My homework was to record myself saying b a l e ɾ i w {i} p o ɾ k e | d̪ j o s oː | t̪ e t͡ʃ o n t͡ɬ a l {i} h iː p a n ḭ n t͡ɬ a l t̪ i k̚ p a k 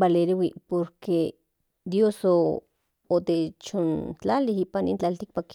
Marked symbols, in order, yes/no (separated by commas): yes, yes